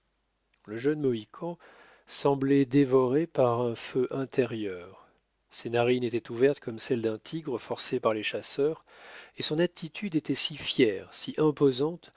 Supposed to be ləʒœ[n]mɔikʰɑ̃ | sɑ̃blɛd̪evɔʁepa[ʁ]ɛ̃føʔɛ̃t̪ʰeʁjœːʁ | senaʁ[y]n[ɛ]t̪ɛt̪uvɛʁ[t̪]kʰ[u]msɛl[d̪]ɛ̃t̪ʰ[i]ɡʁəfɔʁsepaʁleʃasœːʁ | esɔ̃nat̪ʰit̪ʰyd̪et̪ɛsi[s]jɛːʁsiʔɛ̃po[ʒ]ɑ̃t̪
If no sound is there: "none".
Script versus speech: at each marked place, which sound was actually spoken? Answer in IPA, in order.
n, ʁ, i, e, t̪, ɔ, d̪, i, f, z

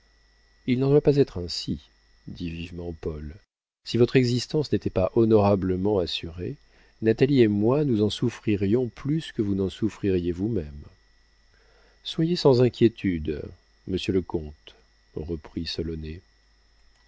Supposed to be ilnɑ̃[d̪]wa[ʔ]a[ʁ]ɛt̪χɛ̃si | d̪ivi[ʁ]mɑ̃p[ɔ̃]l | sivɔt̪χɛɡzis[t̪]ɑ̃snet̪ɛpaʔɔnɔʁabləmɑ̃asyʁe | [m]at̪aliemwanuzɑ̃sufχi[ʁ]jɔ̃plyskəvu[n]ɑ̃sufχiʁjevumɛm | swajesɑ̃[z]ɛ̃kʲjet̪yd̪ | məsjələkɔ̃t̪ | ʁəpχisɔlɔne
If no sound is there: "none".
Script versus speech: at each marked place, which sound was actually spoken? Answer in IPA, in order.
d̪, p, z, v, ɔ, t̪, n, ʁ, n, z

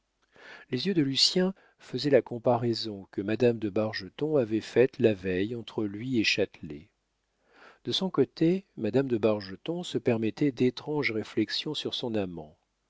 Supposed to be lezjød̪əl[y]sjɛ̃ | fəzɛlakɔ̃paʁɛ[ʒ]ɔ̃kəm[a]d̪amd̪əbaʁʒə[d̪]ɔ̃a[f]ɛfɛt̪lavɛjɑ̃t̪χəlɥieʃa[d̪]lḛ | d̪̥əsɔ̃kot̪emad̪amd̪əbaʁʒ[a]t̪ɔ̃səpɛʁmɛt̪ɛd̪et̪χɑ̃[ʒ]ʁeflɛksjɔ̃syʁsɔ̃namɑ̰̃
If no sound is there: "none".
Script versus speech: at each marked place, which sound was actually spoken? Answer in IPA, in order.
y, z, a, t̪, v, t̪, ə, ʒ

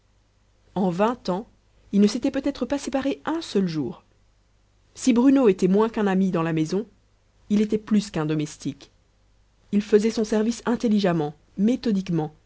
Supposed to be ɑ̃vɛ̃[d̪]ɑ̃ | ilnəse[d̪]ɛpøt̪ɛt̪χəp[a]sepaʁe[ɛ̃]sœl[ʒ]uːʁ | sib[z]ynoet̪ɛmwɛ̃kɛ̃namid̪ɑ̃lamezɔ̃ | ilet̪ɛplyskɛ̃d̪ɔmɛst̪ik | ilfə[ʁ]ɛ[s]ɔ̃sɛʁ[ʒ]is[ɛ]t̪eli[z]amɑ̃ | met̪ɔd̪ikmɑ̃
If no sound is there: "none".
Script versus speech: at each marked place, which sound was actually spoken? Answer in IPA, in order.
t̪, t̪, a, ɛ̃, ʒ, ʁ, z, s, v, ɛ̃, ʒ

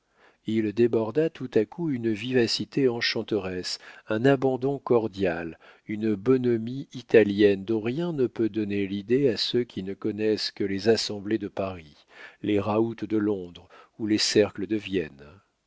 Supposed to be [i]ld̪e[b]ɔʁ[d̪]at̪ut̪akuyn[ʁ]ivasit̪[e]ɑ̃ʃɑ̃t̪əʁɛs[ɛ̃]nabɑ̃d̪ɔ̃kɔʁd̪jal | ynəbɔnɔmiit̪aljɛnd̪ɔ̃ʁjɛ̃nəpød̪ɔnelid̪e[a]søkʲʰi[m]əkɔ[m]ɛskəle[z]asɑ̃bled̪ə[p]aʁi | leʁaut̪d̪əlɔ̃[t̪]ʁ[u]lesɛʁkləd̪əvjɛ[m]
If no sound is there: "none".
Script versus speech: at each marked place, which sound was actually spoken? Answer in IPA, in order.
i, b, d̪, v, e, ɛ̃, a, n, n, z, p, d̪, u, n

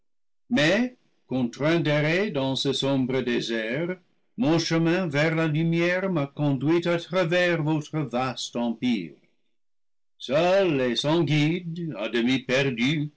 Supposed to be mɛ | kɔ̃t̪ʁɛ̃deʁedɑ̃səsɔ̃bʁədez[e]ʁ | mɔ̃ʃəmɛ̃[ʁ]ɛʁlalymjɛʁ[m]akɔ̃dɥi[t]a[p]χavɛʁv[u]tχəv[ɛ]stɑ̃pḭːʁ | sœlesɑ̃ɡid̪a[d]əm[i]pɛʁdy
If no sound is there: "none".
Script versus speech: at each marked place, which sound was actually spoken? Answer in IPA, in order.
ɛ, v, m, t, t, o, a, d, i

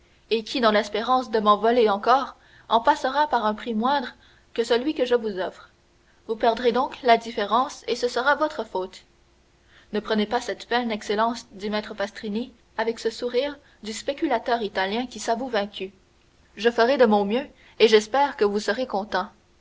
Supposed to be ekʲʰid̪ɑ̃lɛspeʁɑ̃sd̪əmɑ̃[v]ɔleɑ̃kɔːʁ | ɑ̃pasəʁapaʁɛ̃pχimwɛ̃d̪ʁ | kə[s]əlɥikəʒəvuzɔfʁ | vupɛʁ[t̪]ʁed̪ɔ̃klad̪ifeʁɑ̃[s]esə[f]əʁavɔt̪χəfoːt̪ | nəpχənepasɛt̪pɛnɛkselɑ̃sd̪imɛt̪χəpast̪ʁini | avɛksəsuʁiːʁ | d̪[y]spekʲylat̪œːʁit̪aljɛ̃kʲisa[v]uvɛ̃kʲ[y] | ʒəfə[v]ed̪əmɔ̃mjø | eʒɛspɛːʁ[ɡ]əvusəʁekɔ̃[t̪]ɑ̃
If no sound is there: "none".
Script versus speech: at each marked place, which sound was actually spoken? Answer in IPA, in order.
v, s, d̪, s, s, y, v, y, ʁ, k, t̪

